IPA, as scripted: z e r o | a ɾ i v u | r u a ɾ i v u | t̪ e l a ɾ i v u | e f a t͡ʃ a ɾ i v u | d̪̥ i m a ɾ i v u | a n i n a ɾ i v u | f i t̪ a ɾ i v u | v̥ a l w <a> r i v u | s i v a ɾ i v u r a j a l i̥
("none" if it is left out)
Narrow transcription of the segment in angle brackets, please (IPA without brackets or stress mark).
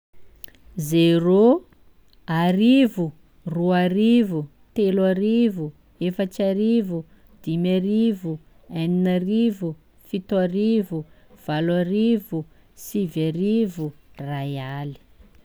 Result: a